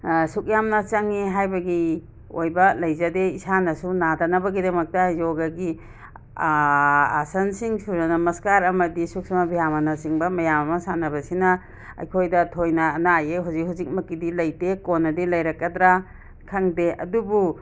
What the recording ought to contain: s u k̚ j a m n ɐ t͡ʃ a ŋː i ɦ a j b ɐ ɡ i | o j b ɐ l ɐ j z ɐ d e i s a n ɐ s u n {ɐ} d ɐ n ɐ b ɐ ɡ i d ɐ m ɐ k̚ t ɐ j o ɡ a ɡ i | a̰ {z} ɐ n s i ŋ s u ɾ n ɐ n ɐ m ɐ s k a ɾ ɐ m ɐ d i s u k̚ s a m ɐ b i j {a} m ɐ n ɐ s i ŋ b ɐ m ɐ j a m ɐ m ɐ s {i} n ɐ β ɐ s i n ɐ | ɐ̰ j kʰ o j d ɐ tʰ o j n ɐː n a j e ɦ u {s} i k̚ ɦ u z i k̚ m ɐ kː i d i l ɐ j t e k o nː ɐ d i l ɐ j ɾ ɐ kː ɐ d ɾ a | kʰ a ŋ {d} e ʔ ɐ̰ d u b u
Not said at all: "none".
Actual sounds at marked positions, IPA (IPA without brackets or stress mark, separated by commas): a, s, a, a, z, d